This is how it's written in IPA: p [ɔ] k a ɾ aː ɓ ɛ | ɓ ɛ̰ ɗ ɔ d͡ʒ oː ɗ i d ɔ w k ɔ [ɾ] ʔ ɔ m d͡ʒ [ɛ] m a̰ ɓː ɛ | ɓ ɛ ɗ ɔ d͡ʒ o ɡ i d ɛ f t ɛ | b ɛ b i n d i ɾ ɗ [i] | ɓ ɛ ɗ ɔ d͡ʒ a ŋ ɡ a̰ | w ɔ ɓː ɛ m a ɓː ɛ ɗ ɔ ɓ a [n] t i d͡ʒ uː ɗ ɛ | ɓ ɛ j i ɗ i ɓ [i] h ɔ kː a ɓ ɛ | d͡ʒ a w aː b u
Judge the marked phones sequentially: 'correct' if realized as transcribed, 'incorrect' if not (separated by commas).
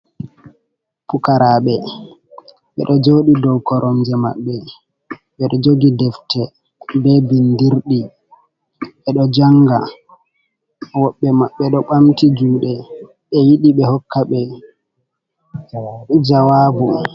incorrect, correct, correct, correct, incorrect, incorrect